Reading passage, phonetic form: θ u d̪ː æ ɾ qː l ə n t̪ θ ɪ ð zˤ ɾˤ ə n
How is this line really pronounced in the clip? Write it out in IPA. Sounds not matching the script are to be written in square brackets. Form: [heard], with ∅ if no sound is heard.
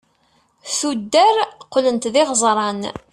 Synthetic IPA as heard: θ u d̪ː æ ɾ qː l ə n t̪ [ð] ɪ [ʁ] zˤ ɾˤ [ɑ] n